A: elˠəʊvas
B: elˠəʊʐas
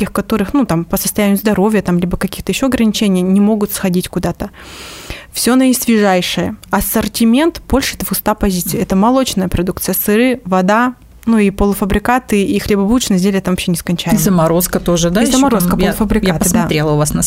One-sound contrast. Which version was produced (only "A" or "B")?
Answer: A